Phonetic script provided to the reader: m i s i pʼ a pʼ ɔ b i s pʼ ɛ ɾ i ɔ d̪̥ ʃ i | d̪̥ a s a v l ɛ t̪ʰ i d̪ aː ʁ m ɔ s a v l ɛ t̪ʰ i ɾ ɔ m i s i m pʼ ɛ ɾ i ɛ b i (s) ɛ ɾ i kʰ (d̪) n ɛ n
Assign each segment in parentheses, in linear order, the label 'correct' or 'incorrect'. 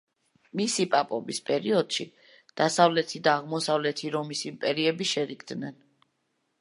incorrect: ʃ, correct

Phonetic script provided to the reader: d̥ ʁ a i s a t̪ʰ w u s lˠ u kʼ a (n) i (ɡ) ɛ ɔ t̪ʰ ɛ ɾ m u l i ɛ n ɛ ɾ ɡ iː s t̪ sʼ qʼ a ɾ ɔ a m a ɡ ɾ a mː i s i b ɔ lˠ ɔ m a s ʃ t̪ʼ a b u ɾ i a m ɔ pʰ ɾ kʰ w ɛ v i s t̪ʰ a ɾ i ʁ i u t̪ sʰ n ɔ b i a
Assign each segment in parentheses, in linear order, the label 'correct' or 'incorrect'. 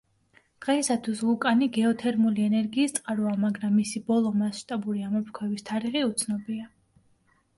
correct, correct

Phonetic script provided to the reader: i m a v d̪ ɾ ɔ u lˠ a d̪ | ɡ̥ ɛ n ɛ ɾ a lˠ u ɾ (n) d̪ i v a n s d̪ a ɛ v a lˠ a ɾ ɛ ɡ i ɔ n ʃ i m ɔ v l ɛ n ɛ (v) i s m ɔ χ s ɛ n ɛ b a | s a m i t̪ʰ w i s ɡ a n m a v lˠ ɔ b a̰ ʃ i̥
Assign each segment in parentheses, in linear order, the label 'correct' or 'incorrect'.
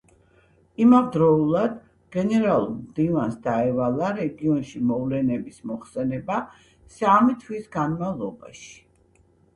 incorrect: m, incorrect: b

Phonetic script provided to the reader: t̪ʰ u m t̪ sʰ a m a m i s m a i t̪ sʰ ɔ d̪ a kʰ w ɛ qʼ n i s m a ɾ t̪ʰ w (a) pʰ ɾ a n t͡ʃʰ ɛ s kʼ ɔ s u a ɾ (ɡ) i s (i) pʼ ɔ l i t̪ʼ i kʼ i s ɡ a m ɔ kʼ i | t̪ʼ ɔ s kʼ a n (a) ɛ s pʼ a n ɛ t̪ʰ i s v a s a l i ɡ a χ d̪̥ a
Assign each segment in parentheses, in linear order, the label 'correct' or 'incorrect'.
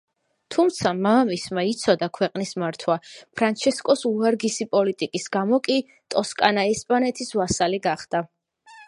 correct, correct, correct, correct

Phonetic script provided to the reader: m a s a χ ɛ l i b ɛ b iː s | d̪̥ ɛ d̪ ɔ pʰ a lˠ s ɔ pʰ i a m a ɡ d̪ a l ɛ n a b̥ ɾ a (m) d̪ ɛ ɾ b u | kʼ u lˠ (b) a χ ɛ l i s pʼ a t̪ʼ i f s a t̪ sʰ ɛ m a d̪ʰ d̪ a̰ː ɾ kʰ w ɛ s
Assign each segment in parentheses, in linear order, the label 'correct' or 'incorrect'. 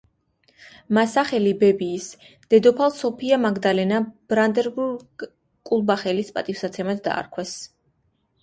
incorrect: n, correct

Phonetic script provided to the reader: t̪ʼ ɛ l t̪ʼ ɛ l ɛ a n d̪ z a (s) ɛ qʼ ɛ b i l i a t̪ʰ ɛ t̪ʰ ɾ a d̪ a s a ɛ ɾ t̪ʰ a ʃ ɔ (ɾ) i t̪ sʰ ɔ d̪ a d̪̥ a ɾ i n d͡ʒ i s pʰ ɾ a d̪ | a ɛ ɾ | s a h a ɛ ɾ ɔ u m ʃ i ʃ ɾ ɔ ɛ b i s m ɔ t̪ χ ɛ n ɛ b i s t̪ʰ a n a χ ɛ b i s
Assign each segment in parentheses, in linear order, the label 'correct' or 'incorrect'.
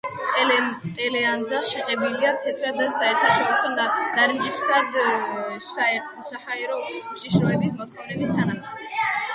incorrect: ʃ, correct

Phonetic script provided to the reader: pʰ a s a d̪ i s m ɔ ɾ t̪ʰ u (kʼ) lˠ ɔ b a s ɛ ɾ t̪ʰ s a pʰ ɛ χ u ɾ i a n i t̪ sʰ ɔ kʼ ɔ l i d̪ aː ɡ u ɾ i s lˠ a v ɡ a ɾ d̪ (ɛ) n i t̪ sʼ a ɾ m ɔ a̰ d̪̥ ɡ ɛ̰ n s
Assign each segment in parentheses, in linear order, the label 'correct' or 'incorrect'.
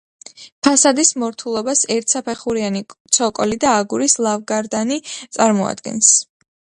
incorrect: none, incorrect: a

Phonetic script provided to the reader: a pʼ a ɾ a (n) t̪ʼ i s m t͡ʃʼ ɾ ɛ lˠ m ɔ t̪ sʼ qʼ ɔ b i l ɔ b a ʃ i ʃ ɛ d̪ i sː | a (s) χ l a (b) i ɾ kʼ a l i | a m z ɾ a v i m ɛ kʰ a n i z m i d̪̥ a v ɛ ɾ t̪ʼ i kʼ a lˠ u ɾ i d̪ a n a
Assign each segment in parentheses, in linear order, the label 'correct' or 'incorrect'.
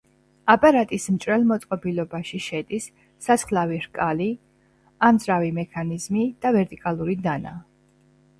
incorrect: none, correct, incorrect: v

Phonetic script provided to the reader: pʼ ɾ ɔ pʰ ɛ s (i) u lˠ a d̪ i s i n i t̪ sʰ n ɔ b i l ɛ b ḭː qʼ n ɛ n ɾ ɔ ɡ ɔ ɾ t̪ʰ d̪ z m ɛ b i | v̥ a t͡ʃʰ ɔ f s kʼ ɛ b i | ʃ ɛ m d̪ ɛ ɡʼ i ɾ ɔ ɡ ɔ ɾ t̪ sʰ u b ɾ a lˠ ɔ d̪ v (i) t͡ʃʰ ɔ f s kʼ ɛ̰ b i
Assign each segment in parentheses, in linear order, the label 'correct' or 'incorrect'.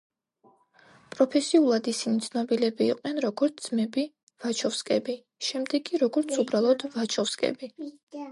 correct, incorrect: a

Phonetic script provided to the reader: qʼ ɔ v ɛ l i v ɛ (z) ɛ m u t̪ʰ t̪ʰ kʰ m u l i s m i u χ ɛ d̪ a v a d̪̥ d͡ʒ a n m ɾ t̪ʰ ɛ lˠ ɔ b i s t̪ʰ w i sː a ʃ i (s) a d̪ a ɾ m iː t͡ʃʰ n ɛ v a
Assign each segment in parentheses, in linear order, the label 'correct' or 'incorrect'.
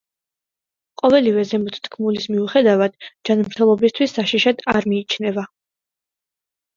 correct, incorrect: ʃ

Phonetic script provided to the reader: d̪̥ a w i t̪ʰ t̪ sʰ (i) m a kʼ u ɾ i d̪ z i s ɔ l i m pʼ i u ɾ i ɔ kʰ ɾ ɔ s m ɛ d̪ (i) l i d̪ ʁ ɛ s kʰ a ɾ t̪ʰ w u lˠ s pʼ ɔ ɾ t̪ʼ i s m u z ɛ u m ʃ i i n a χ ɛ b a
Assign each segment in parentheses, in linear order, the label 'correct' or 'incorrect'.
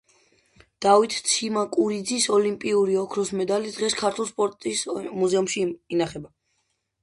correct, incorrect: a

